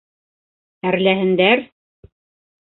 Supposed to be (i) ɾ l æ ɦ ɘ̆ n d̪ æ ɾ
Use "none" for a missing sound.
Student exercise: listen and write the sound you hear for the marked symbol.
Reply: æ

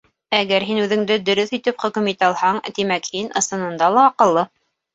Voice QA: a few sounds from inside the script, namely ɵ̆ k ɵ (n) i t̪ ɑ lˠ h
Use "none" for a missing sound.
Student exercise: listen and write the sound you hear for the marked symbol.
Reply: m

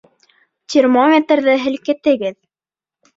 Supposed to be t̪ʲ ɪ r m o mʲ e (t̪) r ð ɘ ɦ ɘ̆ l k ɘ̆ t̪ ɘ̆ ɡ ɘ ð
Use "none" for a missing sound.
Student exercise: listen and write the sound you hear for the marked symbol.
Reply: t̪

